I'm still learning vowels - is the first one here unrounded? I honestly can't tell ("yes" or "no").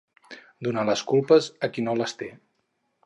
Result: no